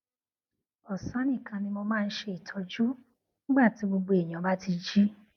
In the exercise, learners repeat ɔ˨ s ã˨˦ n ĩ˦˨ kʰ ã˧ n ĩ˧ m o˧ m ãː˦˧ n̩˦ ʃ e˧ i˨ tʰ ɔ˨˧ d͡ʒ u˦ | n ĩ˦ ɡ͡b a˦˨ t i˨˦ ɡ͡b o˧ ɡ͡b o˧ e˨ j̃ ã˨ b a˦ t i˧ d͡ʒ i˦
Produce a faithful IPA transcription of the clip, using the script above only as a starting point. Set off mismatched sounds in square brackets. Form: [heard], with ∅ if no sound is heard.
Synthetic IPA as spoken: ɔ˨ s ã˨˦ n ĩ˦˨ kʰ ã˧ n ĩ˧ m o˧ m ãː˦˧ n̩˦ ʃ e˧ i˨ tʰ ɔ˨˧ d͡ʒ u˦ | n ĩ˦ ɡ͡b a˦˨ t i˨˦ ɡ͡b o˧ ɡ͡b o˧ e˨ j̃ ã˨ b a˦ t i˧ d͡ʒ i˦